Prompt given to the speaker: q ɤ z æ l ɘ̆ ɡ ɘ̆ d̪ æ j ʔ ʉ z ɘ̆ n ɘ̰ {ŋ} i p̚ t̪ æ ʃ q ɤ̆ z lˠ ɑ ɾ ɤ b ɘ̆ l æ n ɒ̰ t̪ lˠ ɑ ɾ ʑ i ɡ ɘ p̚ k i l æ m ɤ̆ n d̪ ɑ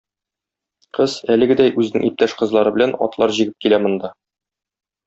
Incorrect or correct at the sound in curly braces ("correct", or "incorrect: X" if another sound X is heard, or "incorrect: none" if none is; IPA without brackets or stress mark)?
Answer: correct